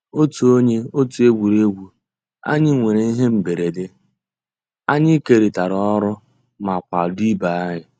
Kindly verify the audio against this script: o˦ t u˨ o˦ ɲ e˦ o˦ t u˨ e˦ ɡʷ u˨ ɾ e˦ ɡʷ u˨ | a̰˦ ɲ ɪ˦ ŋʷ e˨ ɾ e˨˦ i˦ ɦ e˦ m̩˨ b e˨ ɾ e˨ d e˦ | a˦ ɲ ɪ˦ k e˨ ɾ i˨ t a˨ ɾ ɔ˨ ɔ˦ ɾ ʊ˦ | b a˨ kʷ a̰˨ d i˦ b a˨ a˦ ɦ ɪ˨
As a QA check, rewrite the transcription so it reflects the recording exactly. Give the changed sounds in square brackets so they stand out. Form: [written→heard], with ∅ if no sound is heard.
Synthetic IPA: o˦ t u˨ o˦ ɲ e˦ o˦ t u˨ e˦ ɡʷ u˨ ɾ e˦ ɡʷ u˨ | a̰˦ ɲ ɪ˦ ŋʷ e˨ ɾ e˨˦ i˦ ɦ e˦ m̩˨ b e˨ ɾ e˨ d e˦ | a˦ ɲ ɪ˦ k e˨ ɾ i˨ t a˨ ɾ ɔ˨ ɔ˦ ɾ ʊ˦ | [b→m] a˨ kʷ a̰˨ d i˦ b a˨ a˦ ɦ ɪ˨